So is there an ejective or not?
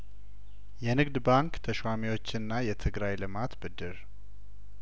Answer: no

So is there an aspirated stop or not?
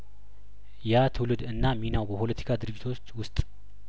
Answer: yes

